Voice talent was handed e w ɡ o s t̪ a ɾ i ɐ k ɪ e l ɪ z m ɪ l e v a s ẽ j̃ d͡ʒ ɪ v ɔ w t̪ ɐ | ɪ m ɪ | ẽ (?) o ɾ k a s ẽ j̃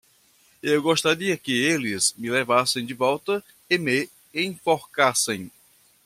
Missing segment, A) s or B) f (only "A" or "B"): B